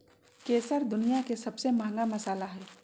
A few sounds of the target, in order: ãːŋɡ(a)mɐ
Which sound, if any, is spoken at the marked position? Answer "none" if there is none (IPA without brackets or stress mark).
a